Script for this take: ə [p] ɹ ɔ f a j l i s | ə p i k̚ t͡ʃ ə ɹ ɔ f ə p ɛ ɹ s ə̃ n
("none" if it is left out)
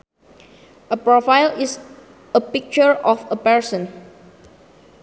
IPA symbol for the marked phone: p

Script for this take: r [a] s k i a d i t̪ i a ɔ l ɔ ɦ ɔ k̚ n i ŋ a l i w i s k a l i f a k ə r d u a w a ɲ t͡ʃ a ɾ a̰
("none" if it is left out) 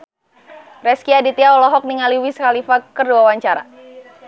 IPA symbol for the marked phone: ɛ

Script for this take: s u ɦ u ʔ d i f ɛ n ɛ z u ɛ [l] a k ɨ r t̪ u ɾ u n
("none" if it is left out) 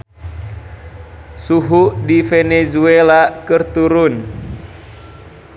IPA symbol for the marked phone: l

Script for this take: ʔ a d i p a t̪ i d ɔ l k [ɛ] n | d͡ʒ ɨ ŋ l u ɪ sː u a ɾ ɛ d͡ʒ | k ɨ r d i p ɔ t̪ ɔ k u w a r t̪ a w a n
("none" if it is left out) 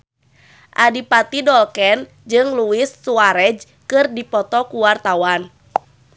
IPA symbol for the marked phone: ɛ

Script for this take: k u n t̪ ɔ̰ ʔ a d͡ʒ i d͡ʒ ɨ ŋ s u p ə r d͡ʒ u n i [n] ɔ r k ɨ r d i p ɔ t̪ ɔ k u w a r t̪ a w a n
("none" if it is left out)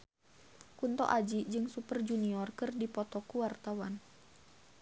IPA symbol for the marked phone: none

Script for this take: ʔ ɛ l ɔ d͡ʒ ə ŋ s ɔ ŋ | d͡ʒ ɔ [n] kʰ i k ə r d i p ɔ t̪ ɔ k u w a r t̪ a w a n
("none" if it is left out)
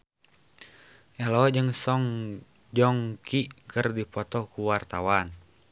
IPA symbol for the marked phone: ŋ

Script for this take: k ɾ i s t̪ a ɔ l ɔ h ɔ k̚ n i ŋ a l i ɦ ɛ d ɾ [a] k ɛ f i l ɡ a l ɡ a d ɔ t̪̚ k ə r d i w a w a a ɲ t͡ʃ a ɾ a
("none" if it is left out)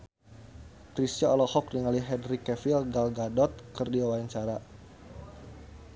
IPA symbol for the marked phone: i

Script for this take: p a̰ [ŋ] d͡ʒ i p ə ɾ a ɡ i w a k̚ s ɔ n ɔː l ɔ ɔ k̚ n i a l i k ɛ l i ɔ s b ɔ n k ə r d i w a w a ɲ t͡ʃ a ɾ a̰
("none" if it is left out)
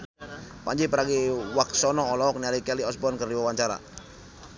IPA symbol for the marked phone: ɲ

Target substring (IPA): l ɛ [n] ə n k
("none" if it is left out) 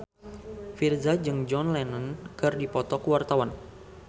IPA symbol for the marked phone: n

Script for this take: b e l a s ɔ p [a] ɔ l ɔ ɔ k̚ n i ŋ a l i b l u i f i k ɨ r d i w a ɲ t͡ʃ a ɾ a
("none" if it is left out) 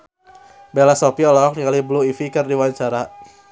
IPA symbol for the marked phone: i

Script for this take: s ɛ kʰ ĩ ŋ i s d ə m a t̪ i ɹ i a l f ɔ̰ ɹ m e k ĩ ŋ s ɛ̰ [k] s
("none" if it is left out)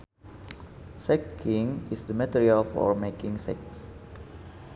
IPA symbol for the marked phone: k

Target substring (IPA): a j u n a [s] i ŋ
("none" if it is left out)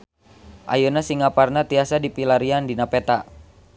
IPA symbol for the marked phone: s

